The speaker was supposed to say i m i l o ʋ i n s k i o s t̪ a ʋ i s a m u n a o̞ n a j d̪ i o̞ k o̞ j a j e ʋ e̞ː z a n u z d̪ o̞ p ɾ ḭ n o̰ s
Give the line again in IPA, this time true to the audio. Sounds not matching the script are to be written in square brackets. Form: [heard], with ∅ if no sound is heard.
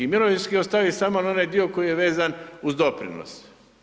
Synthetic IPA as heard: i m i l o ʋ i n s k i o s t̪ a ʋ i s a m [o] n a o̞ n a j d̪ i o̞ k o̞ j [i] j e ʋ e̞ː z a n u z d̪ o̞ p ɾ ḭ n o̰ s